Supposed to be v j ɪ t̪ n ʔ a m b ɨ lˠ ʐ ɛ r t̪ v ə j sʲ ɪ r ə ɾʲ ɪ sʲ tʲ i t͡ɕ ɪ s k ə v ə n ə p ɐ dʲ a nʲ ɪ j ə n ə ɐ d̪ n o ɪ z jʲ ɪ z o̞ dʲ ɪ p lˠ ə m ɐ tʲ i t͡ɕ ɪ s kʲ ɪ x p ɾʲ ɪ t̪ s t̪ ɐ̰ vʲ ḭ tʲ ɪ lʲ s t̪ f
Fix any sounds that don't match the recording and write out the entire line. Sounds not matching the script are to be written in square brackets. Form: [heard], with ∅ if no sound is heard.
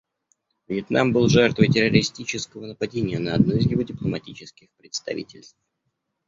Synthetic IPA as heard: v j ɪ t̪ n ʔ a m b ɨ lˠ ʐ ɛ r t̪ v ə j [tʲ] ɪ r ə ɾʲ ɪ sʲ tʲ i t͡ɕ ɪ s k ə v ə n ə p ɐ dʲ [e] nʲ ɪ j ə n ə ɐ d̪ n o ɪ z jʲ ɪ [v] o̞ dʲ ɪ p lˠ ə m ɐ tʲ i t͡ɕ ɪ s kʲ ɪ x p ɾʲ ɪ t̪ s t̪ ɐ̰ vʲ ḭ tʲ ɪ lʲ s t̪ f